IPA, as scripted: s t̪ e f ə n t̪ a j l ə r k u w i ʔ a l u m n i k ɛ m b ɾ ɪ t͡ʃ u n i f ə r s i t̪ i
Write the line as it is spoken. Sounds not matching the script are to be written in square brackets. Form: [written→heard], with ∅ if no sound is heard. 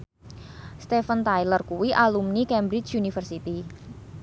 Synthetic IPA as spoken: s t̪ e f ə n t̪ a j l ə r k u w i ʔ a l u m n i k ɛ m b ɾ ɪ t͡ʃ u n i f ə r s i t̪ i